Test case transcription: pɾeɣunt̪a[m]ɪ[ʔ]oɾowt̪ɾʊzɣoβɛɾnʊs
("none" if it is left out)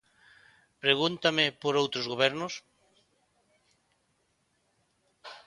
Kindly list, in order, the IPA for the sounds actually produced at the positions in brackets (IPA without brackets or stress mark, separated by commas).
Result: m, p